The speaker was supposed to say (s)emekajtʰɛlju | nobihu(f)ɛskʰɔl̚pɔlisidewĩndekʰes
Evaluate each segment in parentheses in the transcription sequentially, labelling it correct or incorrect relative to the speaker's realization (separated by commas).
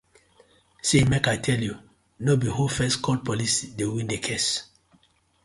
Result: correct, correct